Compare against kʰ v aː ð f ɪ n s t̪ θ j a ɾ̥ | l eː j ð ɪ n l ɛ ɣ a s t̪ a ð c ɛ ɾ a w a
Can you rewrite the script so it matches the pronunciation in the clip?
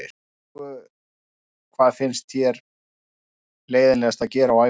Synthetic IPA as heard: kʰ v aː ð f ɪ n s t̪ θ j ɛ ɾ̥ | l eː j ð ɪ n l ɛ ɣ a s t̪ a ð c ɛː ɾ a w a